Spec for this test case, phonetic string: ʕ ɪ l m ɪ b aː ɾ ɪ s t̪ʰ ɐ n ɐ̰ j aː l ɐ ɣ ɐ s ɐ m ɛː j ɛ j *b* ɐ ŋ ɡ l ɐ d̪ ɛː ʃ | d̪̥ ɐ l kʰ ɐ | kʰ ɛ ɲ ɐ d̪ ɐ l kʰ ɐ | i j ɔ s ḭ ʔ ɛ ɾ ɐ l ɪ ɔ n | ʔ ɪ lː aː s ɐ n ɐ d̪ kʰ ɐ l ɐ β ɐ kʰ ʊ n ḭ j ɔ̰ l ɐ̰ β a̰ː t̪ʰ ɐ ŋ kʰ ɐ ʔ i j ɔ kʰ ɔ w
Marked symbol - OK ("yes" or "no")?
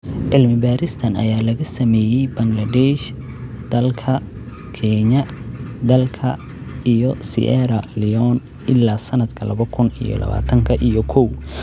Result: yes